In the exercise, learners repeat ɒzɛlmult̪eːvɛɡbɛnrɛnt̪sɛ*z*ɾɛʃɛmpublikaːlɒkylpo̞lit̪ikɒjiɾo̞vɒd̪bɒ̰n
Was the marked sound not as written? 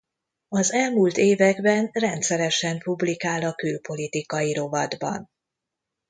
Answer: yes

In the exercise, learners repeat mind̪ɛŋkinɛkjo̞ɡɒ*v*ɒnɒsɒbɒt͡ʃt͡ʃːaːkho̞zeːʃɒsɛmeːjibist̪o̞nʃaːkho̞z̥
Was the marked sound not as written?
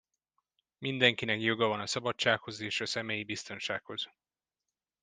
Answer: no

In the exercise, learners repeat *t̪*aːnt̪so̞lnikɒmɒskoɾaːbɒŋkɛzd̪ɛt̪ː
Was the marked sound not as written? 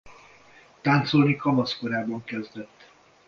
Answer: no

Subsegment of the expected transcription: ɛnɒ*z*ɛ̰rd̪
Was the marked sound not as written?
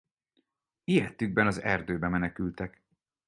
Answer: no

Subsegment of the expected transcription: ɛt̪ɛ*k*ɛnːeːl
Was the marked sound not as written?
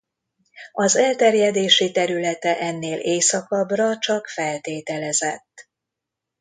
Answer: yes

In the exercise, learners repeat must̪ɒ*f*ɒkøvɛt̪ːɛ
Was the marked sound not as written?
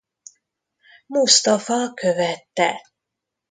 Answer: no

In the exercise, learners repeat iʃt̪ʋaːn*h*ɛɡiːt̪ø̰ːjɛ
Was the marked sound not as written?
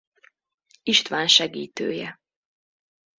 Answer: yes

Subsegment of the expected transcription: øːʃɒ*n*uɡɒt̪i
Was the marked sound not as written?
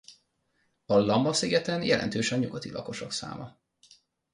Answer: yes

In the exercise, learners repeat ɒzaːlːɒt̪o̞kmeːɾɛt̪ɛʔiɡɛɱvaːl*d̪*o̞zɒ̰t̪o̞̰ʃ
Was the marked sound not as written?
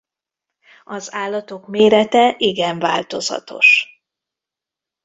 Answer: yes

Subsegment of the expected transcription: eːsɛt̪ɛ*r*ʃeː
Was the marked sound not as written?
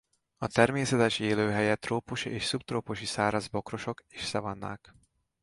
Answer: yes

